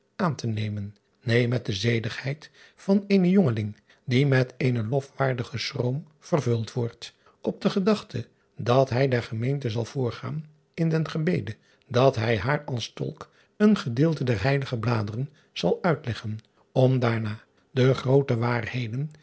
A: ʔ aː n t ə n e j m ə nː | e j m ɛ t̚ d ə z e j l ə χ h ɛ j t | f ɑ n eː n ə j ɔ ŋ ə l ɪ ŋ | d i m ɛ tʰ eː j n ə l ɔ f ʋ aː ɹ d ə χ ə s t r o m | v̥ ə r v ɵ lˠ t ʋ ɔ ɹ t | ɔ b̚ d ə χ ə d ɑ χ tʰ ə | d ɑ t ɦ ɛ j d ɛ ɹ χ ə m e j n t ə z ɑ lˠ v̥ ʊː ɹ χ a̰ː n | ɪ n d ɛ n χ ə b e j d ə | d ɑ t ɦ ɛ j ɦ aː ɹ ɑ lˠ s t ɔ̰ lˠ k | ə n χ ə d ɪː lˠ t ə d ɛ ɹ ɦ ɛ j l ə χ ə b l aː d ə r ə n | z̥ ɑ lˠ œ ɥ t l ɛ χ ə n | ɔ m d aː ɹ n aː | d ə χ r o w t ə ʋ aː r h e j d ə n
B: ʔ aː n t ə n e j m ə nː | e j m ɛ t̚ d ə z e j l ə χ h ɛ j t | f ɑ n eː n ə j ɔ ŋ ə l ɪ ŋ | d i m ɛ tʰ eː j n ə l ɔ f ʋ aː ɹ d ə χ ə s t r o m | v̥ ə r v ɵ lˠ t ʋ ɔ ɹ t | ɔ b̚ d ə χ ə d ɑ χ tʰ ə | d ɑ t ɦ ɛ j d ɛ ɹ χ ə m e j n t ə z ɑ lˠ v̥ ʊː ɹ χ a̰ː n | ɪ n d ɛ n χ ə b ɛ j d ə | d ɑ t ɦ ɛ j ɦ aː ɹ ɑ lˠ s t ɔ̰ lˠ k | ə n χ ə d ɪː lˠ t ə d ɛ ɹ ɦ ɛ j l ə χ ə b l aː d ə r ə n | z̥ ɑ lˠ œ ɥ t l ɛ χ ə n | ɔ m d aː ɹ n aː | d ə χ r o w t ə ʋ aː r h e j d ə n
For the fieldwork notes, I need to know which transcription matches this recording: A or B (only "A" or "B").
A